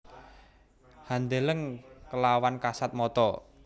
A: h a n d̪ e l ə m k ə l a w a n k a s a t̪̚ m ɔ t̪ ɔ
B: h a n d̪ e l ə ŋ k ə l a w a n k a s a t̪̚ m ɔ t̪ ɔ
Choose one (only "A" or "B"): B